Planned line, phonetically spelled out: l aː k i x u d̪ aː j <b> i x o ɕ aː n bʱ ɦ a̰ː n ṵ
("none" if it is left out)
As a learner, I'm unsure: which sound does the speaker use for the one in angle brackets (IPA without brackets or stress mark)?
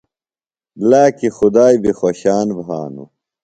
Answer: b